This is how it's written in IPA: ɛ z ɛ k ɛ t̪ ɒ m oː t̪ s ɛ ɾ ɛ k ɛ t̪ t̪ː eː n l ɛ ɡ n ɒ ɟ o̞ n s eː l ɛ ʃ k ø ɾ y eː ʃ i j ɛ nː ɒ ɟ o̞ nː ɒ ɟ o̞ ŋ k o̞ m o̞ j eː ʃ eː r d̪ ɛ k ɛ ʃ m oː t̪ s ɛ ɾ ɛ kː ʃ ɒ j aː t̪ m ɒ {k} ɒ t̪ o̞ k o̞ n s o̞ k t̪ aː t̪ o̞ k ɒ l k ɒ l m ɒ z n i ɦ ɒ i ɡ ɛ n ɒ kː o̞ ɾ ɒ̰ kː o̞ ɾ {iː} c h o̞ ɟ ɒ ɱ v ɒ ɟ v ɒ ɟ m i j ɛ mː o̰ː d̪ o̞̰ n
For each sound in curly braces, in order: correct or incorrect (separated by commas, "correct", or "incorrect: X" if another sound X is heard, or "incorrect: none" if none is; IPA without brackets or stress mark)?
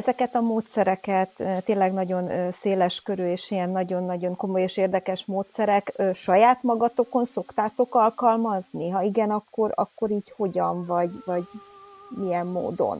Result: incorrect: ɡ, correct